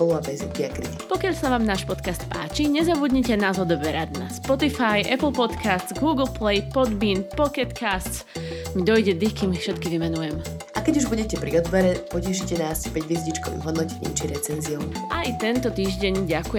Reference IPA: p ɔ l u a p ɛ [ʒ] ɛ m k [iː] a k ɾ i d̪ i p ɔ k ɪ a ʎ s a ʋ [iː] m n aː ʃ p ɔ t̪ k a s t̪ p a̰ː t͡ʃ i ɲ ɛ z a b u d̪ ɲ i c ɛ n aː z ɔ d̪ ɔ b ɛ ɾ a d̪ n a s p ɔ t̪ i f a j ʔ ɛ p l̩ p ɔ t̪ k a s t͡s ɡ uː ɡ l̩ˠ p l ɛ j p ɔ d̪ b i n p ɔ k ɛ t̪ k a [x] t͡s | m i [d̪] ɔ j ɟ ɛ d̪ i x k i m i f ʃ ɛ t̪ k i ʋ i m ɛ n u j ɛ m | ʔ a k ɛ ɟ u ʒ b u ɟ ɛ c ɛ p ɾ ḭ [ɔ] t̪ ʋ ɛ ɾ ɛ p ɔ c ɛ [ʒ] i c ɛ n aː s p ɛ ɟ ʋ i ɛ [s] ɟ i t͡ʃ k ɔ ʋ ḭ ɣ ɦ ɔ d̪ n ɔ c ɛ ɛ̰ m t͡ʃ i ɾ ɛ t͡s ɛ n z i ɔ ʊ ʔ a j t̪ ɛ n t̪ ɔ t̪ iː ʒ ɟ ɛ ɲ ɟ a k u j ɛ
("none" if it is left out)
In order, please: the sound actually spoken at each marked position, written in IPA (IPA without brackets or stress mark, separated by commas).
z, i, aː, s, d̪, ɔ, ʃ, z